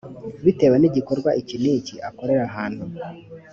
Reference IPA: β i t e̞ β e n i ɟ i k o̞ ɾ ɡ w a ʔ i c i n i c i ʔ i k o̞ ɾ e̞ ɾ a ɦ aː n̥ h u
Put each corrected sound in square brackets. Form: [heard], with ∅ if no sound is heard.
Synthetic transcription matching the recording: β i t e̞ [w] e n i ɟ i k o̞ ɾ ɡ w a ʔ i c i n i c i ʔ [a] k o̞ ɾ e̞ ɾ a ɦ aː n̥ h u